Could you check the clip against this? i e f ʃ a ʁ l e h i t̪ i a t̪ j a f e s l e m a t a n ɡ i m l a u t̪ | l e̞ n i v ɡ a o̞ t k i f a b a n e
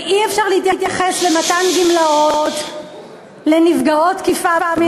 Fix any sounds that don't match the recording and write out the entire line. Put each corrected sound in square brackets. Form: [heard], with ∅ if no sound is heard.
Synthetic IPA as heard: i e f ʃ a ʁ l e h i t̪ [j] a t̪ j a [χ] e s l e m a t a n ɡ i m l a [o] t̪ | l e̞ n i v ɡ a o̞ t k i f a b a [m] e